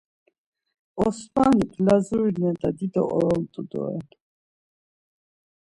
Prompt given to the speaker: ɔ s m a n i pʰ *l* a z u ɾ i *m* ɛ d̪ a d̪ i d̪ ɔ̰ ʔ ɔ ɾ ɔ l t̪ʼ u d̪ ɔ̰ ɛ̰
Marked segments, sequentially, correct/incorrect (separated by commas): correct, incorrect